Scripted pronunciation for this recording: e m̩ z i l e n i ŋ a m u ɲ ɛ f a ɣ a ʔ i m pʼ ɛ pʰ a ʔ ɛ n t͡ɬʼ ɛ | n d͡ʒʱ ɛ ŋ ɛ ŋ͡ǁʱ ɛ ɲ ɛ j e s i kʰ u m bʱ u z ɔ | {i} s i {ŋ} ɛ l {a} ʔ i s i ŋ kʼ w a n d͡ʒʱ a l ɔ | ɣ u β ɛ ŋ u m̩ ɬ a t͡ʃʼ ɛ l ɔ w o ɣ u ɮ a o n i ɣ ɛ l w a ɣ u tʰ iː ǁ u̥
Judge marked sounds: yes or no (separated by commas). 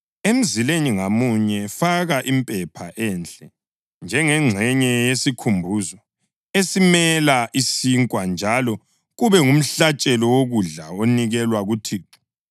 no, no, yes